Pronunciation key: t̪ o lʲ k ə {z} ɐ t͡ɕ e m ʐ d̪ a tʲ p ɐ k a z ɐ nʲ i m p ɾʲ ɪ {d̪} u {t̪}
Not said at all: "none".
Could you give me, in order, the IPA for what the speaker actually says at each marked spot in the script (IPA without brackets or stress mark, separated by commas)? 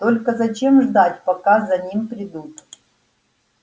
z, d̪, t̪